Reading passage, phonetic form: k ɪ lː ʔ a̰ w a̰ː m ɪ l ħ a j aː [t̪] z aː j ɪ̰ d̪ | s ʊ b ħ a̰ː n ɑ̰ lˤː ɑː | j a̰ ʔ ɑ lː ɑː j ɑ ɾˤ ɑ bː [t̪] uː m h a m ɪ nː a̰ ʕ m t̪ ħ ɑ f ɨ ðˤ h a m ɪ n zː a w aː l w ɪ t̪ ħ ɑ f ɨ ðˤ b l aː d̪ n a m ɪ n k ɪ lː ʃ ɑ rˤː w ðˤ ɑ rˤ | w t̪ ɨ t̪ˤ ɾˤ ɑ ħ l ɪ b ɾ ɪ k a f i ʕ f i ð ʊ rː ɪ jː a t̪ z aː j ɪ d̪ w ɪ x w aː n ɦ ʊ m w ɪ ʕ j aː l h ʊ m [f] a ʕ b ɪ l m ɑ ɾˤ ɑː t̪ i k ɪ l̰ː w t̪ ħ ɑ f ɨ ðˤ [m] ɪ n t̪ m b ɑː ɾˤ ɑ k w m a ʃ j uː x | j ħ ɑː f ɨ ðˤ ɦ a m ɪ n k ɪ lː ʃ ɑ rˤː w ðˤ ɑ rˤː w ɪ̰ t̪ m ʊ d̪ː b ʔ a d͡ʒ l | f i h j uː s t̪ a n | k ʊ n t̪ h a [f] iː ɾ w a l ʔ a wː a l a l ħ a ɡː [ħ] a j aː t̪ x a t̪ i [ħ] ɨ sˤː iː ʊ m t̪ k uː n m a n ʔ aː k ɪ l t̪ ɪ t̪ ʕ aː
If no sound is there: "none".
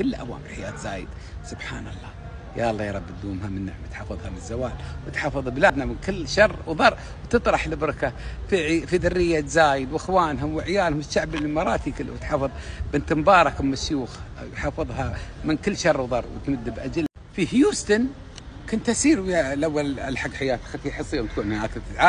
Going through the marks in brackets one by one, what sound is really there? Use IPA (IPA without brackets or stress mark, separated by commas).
t̪, d̪, ʃ, b, s, ħ, ħ